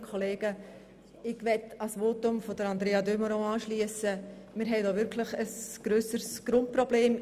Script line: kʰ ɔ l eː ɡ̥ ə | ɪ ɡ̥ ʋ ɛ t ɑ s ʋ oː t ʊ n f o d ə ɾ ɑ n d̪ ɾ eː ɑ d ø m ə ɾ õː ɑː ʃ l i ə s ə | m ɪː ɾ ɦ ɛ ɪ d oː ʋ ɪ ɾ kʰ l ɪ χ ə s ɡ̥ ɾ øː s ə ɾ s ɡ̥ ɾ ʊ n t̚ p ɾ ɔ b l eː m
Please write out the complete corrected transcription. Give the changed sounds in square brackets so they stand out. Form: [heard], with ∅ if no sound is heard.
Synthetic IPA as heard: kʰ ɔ l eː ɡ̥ ə | ɪ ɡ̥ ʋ ɛ t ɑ s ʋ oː t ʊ [m] f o d ə ɾ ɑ n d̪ ɾ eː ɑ d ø m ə ɾ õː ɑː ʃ l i ə s ə | m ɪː ɾ ɦ ɛ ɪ d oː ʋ ɪ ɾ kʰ l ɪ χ ə s ɡ̥ ɾ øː s ə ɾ s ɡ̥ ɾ ʊ n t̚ p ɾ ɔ b l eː m